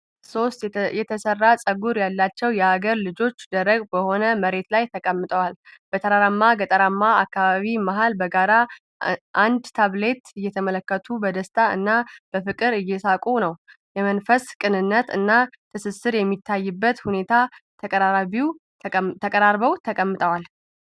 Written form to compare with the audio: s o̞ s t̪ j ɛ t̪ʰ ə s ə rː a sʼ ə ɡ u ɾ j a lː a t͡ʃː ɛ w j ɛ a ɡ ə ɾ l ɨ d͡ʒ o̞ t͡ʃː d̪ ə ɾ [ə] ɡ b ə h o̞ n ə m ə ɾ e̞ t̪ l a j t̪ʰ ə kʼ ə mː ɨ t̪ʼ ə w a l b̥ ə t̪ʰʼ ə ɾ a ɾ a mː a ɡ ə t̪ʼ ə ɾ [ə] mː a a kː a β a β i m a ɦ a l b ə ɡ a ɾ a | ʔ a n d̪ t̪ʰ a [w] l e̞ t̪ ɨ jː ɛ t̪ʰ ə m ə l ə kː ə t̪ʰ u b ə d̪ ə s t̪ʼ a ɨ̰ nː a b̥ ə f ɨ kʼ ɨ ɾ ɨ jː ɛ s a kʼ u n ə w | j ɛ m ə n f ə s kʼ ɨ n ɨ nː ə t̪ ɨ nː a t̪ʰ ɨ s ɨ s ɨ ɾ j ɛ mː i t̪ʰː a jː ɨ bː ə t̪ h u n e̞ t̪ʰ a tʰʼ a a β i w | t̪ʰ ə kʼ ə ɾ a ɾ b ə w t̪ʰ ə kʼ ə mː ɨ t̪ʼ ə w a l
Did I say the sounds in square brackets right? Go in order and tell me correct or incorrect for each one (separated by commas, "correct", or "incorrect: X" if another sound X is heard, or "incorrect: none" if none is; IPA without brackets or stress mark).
correct, incorrect: a, incorrect: β